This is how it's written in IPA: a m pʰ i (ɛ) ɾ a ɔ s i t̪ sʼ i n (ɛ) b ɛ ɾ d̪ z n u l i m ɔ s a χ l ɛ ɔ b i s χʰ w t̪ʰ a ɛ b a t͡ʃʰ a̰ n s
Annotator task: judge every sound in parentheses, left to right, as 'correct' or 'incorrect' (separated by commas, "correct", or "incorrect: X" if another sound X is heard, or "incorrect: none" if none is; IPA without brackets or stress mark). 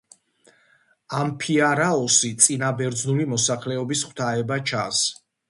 incorrect: a, incorrect: a